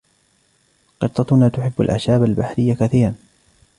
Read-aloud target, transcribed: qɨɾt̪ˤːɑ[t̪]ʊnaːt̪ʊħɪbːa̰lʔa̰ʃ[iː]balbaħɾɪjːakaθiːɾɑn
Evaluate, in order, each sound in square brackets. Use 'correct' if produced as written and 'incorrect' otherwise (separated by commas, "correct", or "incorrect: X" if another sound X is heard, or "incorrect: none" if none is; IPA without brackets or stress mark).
correct, incorrect: aː